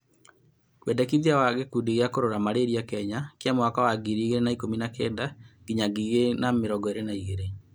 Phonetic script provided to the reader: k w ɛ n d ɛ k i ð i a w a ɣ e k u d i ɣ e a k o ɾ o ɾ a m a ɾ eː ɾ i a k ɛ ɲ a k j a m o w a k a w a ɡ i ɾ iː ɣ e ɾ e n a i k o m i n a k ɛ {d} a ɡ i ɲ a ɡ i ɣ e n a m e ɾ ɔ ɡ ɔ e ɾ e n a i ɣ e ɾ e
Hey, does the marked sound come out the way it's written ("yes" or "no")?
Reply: yes